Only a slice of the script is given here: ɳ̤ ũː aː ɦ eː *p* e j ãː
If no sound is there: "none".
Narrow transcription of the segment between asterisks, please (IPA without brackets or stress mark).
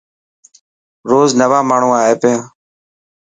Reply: p